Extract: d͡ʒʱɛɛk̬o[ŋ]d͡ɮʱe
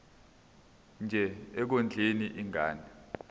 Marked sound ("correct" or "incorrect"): incorrect